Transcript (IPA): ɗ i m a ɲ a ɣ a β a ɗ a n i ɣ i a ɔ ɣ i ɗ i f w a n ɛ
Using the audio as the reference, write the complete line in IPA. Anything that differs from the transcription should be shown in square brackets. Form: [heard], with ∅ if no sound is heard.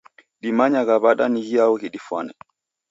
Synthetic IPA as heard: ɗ i m a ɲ a ɣ a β a ɗ a n i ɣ i a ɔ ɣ i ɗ i f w a n ɛ